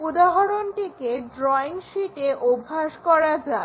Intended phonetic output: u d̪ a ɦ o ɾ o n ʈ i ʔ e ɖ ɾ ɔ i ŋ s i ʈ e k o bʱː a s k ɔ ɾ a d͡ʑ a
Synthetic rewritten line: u d̪ a ɦ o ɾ o n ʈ i k e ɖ ɾ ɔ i ŋ ʃ i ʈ e ʔ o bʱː a ʃ k ɔ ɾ a d͡ʑ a